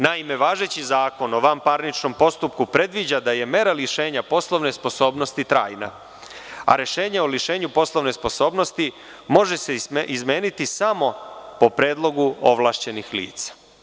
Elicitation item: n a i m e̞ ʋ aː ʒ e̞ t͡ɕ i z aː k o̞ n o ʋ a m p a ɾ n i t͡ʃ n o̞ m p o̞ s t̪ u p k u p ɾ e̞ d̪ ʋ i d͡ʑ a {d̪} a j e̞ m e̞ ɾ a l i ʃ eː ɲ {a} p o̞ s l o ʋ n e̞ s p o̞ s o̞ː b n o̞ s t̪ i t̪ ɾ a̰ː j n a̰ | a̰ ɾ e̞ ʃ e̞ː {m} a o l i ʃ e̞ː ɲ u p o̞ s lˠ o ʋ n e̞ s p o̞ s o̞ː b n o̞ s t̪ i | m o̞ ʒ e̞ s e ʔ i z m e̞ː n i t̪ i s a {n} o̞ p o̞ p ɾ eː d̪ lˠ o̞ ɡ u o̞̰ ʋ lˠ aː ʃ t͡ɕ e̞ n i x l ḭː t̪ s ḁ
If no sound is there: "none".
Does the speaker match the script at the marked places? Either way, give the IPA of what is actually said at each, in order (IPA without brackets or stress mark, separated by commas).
d̪, a, ɲ, m